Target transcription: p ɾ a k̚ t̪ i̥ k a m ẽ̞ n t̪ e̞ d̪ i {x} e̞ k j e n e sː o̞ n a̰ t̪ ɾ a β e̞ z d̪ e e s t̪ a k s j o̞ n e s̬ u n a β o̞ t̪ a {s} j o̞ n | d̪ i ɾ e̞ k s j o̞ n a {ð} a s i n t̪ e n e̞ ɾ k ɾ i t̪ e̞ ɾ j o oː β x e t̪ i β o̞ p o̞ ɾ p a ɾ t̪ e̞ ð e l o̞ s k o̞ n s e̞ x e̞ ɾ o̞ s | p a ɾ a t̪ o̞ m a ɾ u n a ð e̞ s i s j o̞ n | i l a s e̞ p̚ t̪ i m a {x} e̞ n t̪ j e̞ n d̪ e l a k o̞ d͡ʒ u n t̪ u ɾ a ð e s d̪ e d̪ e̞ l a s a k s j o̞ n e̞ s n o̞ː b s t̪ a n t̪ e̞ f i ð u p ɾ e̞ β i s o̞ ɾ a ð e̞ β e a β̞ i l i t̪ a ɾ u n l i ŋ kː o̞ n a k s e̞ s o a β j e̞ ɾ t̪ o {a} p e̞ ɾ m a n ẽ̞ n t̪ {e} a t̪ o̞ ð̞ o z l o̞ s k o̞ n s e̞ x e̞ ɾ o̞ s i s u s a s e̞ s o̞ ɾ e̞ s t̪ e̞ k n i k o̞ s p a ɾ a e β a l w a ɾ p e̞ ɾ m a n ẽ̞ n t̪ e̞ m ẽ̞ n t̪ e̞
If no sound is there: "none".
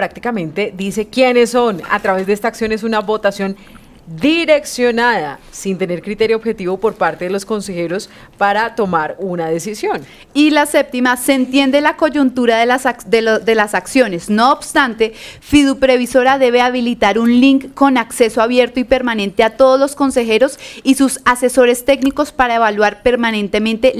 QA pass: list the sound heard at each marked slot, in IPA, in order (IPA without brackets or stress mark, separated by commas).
s, s, ð, s, i, e